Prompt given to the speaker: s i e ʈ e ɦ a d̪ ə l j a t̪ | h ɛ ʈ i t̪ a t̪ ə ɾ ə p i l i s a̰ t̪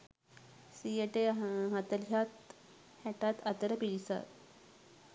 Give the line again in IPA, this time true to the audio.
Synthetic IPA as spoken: s i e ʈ e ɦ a t̪ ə l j a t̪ | h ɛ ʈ a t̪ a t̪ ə ɾ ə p i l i s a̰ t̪